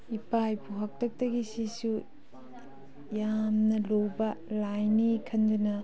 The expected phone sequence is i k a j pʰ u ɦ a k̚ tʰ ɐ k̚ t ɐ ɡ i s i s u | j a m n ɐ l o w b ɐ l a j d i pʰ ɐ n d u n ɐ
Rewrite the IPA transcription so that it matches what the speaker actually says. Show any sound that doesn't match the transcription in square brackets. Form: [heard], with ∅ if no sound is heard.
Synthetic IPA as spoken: i [p] a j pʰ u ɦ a k̚ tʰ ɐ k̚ t ɐ ɡ i s i s u | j a m n ɐ l o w b ɐ l a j [n] i [kʰ] ɐ n d u n ɐ